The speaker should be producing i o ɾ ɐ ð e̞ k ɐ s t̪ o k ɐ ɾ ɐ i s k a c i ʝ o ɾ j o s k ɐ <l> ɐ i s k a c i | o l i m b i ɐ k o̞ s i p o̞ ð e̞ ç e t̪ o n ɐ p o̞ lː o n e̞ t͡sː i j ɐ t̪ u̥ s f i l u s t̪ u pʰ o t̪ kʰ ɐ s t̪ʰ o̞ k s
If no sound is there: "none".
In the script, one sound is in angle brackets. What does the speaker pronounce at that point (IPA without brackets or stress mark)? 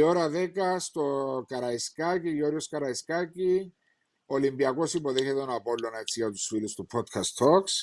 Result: ɾ